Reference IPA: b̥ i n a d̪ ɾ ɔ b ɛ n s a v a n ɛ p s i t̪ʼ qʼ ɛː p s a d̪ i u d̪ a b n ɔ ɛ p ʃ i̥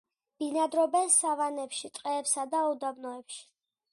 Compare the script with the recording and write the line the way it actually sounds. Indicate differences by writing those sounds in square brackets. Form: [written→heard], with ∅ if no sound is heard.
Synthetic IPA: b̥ i n a d̪ ɾ ɔ b ɛ n s a v a n ɛ p [s→ʃ] i t̪ʼ qʼ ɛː p s a d̪ [i→a] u d̪ a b n ɔ ɛ p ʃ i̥